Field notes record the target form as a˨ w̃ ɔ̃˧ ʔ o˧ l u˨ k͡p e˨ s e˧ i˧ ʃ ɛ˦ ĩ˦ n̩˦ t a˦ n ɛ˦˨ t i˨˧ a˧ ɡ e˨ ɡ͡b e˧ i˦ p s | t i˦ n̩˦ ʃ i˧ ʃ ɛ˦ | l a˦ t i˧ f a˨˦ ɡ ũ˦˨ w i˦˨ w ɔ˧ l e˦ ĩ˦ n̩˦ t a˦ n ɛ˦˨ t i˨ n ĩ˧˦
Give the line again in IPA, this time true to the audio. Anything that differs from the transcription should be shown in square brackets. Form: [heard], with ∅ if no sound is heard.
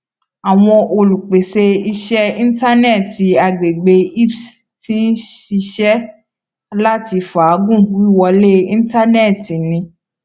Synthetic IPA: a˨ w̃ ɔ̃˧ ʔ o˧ l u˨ k͡p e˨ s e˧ i˧ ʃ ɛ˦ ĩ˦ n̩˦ t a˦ n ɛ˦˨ t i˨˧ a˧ [ɡ͡b] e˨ ɡ͡b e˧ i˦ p s | t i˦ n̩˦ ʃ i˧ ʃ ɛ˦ | l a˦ t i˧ f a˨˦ ɡ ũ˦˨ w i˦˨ w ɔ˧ l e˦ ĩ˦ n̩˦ t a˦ n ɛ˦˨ t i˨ n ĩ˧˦